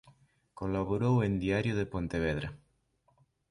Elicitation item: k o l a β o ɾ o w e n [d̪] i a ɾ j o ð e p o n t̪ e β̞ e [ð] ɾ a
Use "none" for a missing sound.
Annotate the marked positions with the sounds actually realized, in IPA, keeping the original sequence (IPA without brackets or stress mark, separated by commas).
d̪, ð